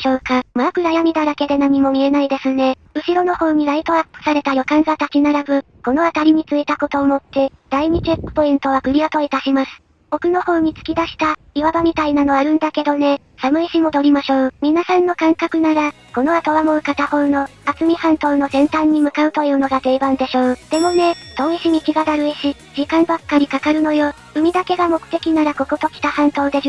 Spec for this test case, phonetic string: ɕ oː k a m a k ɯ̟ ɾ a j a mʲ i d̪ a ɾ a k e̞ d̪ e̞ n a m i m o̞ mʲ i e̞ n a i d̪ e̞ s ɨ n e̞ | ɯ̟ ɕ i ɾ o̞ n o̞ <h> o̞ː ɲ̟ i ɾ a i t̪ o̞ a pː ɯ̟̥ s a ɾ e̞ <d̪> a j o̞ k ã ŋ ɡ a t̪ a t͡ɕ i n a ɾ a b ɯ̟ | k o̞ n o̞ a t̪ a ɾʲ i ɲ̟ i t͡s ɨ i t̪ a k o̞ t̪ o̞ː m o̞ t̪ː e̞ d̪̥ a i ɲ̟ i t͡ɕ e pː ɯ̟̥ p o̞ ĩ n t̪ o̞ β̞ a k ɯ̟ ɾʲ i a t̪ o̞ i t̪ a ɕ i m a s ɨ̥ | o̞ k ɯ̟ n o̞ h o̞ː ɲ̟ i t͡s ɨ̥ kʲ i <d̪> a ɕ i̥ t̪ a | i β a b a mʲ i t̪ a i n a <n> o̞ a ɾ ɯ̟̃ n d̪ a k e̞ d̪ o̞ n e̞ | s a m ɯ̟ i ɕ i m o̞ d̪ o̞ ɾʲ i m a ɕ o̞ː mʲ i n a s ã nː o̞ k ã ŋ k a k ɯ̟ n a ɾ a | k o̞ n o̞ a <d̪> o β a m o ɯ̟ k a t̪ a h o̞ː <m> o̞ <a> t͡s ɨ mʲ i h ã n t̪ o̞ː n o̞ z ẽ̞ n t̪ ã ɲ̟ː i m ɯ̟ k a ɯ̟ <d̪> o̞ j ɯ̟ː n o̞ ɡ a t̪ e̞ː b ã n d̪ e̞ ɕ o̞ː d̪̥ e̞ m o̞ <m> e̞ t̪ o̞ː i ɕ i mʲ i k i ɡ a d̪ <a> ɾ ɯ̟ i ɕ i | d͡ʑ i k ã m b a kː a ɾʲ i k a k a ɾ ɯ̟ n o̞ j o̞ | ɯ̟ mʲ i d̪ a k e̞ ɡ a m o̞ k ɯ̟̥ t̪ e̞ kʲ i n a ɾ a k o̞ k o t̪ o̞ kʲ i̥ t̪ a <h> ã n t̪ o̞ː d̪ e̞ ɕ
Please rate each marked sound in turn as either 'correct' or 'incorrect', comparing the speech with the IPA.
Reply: correct, incorrect: t̪, correct, correct, incorrect: t̪, incorrect: n, correct, incorrect: t̪, incorrect: n, correct, correct

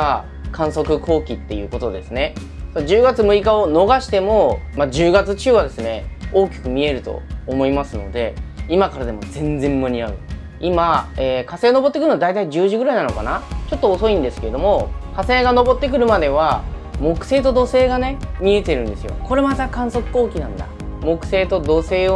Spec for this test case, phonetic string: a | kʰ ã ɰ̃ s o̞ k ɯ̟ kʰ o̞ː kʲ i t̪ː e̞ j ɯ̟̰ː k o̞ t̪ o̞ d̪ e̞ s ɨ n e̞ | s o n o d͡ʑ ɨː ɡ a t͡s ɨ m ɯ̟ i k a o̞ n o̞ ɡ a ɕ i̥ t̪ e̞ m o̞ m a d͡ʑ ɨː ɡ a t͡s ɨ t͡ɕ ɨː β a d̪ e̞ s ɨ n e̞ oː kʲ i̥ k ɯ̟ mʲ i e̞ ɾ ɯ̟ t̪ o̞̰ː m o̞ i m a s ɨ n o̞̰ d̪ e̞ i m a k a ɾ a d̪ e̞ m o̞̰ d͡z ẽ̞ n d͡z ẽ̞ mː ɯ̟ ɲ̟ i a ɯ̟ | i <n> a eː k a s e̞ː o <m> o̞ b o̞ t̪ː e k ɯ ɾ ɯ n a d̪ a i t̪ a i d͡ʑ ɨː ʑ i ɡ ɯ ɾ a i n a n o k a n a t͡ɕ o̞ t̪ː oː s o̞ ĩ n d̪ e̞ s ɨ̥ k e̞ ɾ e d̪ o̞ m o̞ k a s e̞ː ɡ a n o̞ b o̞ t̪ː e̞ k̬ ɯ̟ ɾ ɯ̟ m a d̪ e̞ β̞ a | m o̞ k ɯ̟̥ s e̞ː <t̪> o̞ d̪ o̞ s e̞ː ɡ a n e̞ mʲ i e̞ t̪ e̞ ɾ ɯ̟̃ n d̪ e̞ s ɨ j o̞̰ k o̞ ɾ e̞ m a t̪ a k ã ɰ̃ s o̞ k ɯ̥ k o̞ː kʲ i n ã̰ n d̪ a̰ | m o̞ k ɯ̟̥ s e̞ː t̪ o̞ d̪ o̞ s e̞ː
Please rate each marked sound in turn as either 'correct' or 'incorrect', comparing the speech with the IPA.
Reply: incorrect: m, incorrect: n, correct

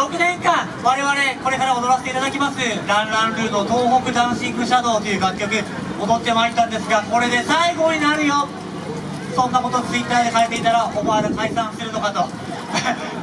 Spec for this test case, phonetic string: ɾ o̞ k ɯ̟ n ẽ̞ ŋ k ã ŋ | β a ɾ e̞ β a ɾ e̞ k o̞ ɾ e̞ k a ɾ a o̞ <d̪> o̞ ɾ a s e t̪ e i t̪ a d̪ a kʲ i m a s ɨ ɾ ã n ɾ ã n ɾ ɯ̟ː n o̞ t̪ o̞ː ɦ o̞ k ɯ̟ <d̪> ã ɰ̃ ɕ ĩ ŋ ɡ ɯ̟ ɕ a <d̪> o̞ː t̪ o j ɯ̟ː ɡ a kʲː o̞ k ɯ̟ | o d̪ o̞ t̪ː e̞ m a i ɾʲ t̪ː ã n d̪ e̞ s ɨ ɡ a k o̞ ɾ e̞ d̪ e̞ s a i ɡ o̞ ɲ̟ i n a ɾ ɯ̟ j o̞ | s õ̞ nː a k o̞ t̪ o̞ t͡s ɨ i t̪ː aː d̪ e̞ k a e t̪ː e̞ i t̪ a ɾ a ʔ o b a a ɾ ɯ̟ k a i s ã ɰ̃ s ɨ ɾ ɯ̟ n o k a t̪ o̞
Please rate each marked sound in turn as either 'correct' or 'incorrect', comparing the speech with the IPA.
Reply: correct, correct, correct

